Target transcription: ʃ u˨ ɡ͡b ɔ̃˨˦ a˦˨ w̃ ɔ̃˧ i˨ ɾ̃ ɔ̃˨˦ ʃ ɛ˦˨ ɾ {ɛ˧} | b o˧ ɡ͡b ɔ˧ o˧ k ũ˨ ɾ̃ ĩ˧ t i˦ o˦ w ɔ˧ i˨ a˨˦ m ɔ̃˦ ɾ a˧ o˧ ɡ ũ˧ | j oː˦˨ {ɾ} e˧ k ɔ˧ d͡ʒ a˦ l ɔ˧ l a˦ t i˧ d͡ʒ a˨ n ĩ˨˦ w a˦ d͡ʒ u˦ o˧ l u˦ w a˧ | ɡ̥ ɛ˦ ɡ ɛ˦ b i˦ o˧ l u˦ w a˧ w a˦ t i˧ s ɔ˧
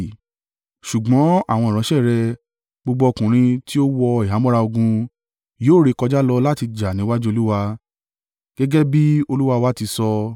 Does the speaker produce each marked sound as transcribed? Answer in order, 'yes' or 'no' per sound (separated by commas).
yes, yes